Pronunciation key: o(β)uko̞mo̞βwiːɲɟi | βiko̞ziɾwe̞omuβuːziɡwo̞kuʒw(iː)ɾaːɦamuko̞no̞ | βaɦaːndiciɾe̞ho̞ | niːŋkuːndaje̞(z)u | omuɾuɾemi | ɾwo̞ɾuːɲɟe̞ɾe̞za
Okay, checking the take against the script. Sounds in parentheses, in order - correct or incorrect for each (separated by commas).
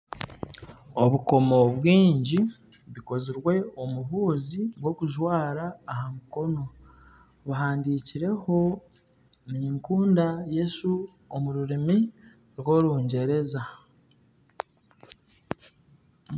correct, incorrect, incorrect